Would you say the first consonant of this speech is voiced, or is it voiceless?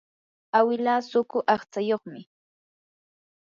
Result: voiced